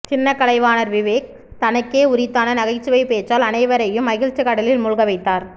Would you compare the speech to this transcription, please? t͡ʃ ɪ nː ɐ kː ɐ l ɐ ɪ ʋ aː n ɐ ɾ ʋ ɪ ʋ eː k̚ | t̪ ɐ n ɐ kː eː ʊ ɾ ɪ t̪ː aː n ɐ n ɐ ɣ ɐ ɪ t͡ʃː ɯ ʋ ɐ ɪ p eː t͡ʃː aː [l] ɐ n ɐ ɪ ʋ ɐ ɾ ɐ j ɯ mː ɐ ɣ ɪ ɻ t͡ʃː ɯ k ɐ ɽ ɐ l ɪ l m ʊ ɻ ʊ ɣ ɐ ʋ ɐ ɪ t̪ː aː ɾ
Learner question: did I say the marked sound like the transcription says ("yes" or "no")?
yes